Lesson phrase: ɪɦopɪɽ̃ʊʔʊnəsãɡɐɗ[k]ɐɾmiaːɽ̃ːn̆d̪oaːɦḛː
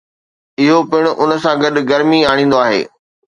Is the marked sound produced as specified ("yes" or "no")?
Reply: no